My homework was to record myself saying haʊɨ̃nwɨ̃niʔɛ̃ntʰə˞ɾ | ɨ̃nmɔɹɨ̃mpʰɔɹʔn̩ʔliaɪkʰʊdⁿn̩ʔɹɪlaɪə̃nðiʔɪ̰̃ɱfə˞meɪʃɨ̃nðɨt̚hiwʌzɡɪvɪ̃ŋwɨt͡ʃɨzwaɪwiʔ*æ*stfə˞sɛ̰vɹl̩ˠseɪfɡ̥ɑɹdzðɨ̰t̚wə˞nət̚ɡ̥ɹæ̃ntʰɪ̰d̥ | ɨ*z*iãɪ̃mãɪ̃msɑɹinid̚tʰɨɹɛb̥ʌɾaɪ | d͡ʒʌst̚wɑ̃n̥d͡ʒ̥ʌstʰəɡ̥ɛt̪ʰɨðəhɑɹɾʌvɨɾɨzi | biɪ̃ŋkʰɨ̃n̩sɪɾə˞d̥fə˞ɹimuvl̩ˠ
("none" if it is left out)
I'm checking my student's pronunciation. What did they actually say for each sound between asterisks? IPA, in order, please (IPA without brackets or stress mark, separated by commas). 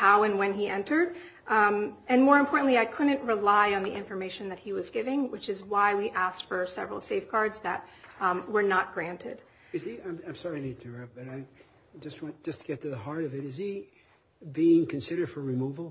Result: æ, z